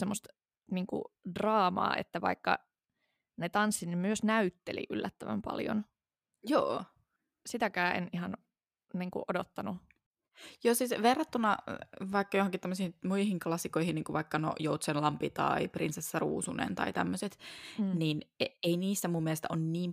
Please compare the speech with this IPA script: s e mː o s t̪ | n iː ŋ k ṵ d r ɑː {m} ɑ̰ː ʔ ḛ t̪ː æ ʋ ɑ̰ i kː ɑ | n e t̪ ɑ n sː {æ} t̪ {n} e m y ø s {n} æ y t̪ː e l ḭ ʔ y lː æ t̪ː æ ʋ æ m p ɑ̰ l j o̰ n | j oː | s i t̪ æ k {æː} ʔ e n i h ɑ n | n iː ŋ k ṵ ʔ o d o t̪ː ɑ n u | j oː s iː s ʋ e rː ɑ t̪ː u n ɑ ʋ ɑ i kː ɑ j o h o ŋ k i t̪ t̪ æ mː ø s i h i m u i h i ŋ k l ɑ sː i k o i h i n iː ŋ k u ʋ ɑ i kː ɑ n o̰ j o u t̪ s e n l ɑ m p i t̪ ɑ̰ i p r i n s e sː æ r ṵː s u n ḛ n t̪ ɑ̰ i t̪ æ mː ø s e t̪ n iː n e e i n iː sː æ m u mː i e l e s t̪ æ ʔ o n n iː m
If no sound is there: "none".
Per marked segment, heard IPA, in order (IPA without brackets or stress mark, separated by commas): m, i, n, n, æː